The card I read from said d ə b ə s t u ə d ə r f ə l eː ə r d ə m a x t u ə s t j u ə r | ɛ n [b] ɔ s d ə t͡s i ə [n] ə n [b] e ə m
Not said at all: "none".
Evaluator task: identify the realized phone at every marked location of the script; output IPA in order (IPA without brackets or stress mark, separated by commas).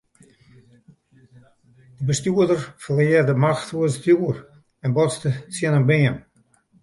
b, n, b